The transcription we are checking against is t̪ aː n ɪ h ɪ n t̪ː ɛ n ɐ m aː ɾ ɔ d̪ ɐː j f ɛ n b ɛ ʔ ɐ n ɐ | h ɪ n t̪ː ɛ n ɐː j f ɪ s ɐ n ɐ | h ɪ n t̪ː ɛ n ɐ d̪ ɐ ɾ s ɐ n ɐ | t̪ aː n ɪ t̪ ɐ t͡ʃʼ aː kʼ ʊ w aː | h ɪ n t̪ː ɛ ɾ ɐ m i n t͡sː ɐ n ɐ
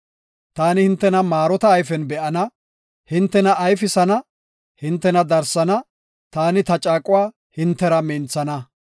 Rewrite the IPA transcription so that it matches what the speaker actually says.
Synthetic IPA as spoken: t̪ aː n ɪ h ɪ n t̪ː ɛ n ɐ m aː ɾ ɔ t̪ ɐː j f ɛ n b ɛ ʔ ɐ n ɐ | h ɪ n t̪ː ɛ n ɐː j f ɪ s ɐ n ɐ | h ɪ n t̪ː ɛ n ɐ d̪ ɐ ɾ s ɐ n ɐ | t̪ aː n ɪ t̪ ɐ t͡ʃʼ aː kʼ ʊ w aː | h ɪ n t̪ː ɛ ɾ ɐ m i n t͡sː ɐ n ɐ